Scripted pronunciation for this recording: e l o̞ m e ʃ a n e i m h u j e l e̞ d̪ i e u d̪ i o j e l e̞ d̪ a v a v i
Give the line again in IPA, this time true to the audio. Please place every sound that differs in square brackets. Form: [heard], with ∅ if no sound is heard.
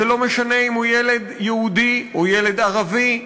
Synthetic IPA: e l o̞ m e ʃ a n e i m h u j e l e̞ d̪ [j] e u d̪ i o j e l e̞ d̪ a [ʁ] a v i

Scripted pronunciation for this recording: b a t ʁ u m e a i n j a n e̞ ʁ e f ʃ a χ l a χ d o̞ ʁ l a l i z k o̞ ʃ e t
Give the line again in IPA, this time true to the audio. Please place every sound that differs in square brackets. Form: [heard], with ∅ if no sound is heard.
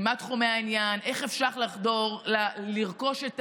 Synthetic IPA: [m] a t [χ] u m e a i n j a n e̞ [χ] e f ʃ a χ l a χ d o̞ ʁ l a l i [ʁ] k o̞ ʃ e t

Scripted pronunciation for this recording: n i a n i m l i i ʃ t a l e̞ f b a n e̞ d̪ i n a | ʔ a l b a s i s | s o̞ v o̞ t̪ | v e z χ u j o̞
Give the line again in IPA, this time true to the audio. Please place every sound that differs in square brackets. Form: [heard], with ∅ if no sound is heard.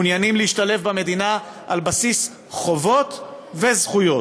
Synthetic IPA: n [j] a n i m l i i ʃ t a l e̞ f b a [m] e̞ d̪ i n a | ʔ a l b a s i s | [χ] o̞ v o̞ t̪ | v e z χ u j o̞

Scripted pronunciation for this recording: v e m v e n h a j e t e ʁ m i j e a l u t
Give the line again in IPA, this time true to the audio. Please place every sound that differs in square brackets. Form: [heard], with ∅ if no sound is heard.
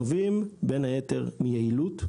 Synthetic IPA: v [i] m [b] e n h a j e t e ʁ m i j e [i] l u t

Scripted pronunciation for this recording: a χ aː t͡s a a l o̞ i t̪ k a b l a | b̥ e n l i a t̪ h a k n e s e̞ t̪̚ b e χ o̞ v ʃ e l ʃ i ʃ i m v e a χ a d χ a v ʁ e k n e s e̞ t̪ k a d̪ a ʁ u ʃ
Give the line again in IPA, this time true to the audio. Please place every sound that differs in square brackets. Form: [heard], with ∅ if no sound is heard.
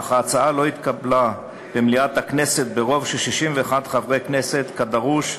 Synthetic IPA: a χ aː t͡s a a l o̞ i t̪ k a b l a | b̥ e [m] l i a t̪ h a k n e s e̞ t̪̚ b e [ʁ] o̞ v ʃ e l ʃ i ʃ i m v e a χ a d χ a v ʁ e k n e s e̞ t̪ k a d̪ a ʁ u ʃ

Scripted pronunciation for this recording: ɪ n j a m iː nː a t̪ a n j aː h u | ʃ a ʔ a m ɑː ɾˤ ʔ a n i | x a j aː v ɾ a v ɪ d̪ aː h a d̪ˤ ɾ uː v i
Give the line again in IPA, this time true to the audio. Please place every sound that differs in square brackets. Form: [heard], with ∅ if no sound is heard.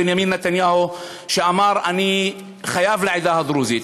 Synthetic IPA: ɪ n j a m iː nː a t̪ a n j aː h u | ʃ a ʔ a m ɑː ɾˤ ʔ a n i | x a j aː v [l] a [ʕ] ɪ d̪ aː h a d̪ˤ ɾ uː [z] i

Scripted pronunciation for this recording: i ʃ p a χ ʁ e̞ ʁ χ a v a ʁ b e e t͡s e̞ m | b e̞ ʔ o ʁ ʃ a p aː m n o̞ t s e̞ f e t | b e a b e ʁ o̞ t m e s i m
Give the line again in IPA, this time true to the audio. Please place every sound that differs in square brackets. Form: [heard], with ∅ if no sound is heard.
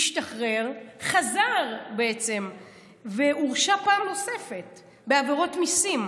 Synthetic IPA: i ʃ [t] a χ ʁ e̞ ʁ χ a [z] a ʁ b e e t͡s e̞ m | [v] e̞ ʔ [u] ʁ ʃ a p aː m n o̞ [∅] s e̞ f e t | b e a [v] e ʁ o̞ t m [i] s i m

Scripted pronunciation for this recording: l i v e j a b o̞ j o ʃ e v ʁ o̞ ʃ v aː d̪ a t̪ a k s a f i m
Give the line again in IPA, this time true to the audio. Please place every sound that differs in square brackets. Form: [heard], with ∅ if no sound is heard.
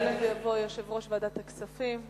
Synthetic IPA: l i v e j a [v] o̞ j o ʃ e v ʁ o̞ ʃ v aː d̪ a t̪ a k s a f i m

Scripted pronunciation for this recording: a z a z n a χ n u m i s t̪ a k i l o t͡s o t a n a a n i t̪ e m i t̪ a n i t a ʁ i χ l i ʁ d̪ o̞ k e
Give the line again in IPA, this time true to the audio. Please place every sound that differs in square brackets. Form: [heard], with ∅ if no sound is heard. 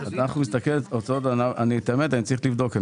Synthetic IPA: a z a [∅] n a χ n u m i s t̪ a k [e] l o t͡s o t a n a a n i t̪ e m [e] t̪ a n i [t͡s] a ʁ i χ l i [v] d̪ o̞ k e

